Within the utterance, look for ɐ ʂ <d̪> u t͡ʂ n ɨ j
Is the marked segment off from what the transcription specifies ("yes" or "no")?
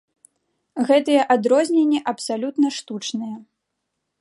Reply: yes